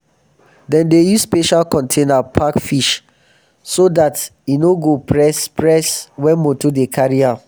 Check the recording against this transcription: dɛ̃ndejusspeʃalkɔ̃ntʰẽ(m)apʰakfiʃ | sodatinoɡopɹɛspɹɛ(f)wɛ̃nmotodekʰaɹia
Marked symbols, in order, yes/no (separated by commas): no, no